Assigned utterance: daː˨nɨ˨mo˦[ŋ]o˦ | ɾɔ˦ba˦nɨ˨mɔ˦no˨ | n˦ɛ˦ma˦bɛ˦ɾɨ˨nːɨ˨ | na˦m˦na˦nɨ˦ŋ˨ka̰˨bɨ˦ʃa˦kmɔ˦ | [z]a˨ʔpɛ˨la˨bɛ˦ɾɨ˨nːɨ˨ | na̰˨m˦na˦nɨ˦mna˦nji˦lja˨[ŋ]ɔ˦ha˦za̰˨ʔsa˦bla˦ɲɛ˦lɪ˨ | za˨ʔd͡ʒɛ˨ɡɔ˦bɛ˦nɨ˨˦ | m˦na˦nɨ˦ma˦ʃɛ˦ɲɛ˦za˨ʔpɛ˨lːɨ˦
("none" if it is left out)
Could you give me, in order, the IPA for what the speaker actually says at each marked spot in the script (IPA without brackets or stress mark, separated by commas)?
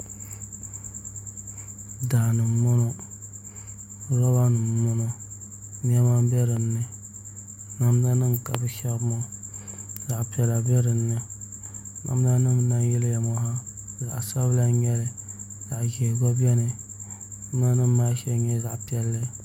n, z, m